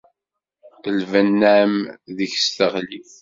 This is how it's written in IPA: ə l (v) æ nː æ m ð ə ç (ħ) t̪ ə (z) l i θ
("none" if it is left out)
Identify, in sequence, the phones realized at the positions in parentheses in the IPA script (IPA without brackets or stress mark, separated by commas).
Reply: v, s, ʁ